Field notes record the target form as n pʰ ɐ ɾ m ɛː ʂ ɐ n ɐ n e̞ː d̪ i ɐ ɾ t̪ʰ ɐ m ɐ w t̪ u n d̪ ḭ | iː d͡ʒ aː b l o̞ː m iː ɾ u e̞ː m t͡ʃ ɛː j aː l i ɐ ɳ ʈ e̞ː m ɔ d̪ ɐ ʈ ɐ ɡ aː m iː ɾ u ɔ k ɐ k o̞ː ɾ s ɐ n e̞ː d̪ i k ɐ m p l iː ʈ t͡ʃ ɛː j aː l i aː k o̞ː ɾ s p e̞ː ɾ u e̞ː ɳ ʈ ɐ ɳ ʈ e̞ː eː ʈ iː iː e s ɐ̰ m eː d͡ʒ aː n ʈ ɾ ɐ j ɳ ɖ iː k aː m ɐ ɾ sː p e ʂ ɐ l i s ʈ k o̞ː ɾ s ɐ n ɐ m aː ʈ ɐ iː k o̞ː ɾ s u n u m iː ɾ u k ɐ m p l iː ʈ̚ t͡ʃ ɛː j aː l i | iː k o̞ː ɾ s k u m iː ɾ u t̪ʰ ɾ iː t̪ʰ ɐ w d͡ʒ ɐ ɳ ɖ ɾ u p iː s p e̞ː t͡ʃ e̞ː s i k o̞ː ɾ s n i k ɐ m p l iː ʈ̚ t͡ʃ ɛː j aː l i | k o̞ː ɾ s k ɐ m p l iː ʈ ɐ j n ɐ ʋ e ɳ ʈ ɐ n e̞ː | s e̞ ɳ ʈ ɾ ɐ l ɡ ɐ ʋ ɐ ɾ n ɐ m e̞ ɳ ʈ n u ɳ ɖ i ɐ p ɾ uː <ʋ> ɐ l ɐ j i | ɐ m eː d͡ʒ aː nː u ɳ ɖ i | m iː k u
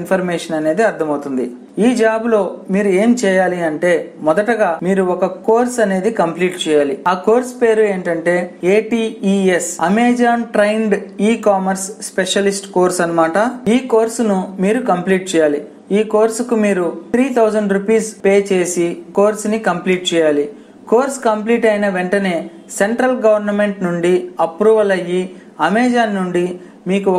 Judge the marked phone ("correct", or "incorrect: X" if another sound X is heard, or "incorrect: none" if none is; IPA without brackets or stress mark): correct